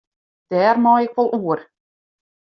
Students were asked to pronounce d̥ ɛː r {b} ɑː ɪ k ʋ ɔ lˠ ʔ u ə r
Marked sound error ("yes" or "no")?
yes